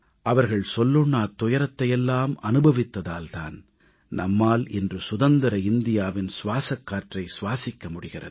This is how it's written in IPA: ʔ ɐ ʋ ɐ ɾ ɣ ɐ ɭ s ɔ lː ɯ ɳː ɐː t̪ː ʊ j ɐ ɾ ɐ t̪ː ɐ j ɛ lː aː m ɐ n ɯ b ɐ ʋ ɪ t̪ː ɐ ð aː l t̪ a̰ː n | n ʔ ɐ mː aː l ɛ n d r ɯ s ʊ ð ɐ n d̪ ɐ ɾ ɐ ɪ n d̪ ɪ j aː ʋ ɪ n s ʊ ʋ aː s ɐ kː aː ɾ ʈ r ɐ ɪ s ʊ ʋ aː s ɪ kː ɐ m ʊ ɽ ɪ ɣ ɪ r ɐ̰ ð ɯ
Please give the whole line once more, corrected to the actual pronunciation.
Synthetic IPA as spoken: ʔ ɐ ʋ ɐ ɾ ɣ ɐ ɭ s ɔ lː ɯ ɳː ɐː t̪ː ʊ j ɐ ɾ ɐ t̪ː ɐ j ɛ lː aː m ɐ n ɯ b ɐ ʋ ɪ t̪ː ɐ ð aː l t̪ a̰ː n | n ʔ ɐ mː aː l ɛ n d r ɯ s ʊ ð ɐ n d̪ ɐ ɾ ɐ ɪ n d̪ ɪ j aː ʋ ɪ n s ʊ ʋ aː s ɐ kː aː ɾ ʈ r ɐ ɪ s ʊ ʋ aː s ɪ kː ɐ m ʊ ɽ ɪ ɣ ɪ r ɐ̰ ð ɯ